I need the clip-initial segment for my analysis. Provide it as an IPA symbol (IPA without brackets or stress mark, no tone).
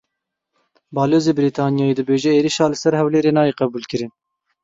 b